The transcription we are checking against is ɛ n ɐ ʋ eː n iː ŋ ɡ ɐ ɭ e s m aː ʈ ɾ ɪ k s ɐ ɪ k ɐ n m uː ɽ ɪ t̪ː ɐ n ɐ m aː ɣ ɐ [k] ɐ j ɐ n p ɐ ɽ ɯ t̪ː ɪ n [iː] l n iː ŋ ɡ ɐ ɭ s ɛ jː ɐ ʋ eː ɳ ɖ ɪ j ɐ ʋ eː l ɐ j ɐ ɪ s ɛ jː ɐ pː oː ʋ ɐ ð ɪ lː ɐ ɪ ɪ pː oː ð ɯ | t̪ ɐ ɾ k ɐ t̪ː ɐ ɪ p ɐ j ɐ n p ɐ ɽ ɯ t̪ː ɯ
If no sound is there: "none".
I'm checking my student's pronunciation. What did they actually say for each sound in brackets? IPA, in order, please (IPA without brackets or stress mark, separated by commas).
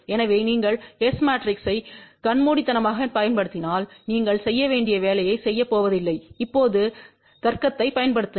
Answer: p, aː